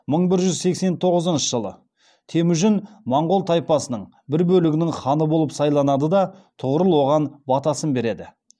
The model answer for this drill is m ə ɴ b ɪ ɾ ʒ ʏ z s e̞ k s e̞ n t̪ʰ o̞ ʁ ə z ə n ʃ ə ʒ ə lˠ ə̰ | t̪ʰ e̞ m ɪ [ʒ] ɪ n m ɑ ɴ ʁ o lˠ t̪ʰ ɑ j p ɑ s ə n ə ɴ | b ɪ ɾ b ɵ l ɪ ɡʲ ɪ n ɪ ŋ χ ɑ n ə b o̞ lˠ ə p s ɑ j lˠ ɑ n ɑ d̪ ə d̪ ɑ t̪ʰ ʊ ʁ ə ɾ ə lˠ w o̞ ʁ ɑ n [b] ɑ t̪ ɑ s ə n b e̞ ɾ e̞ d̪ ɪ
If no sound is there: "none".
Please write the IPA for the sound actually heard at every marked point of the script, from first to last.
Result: ʒ, b

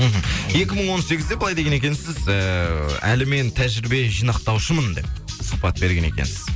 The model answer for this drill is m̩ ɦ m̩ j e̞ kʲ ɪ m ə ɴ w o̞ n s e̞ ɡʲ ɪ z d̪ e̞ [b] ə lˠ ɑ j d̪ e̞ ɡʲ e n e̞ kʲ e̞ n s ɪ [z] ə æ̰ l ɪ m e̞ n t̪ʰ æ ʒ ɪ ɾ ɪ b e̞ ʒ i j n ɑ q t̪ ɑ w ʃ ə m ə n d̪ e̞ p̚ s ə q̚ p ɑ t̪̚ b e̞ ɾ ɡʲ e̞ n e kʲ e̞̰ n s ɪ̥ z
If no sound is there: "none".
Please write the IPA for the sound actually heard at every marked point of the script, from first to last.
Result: b, z

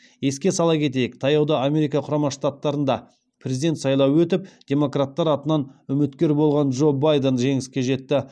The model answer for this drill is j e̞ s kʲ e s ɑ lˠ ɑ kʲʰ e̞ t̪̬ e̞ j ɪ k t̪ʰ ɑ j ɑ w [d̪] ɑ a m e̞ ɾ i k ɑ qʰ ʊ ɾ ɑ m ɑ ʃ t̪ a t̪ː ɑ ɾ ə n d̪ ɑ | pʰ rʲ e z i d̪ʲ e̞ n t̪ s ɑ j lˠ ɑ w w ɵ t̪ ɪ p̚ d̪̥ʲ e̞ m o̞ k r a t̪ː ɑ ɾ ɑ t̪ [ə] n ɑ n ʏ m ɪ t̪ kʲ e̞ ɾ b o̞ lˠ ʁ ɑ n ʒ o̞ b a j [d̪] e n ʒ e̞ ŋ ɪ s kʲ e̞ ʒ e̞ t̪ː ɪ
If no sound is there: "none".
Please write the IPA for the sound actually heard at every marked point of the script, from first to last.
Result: d̪, ə, d̪

